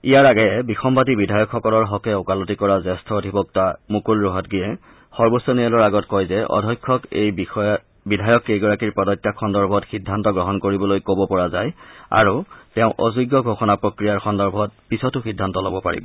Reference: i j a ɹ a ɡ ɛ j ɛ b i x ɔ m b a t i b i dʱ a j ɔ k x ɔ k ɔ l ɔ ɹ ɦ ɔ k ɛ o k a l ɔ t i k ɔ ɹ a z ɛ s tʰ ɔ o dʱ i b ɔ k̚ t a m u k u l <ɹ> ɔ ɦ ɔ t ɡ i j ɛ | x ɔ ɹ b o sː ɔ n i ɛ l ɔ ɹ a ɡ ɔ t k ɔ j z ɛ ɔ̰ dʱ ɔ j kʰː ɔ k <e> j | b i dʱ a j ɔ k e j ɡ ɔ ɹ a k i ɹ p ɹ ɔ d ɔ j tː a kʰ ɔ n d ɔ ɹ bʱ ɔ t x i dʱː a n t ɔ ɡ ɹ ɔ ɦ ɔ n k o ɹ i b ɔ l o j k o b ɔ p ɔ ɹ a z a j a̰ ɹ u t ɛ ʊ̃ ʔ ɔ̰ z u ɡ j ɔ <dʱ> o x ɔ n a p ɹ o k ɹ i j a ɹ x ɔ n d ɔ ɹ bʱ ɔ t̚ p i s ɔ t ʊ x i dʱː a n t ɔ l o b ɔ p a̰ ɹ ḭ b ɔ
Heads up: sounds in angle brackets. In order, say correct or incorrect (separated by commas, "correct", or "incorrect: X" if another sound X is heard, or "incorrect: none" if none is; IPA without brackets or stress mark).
correct, correct, incorrect: ɡʱ